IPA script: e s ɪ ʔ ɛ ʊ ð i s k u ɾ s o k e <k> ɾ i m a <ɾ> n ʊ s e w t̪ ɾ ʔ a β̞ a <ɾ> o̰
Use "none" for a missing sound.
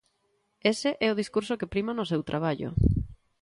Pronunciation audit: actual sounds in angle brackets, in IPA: p, none, ʎ

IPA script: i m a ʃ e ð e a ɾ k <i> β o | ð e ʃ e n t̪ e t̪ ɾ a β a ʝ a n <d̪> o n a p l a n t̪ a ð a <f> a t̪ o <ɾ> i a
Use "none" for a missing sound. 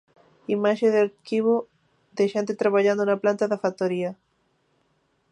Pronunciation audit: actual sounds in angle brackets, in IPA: i, d̪, f, ɾ

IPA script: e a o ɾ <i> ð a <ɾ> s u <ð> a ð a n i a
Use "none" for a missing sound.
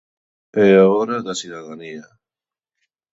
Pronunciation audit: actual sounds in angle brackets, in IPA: a, none, ð

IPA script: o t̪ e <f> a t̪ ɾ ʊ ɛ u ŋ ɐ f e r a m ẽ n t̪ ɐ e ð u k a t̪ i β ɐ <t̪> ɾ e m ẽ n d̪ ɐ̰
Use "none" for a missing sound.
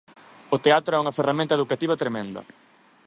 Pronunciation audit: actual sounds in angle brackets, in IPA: none, t̪

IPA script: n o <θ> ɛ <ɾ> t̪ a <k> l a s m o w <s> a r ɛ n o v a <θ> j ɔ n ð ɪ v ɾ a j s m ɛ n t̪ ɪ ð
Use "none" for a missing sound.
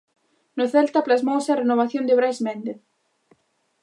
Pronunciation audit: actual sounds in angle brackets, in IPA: θ, l, p, s, θ

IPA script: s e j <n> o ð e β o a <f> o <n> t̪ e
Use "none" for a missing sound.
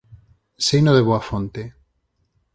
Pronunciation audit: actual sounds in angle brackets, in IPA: n, f, n

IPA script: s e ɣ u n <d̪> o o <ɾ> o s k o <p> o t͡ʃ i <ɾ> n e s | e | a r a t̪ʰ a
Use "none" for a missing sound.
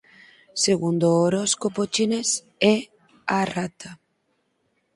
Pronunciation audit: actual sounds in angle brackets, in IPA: d̪, ɾ, p, none

